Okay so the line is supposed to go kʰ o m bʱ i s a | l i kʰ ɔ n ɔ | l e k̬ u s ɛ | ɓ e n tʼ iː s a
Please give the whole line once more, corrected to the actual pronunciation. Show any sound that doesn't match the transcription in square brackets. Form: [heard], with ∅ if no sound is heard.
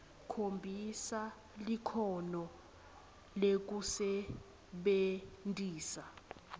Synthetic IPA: kʰ o m bʱ i s a | l i kʰ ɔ n ɔ | l e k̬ u s ɛ | ɓ e n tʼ iː s a